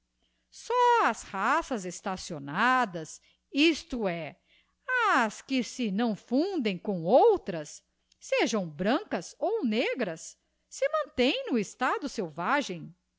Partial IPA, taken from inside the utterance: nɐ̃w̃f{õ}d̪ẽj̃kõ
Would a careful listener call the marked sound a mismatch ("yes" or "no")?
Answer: yes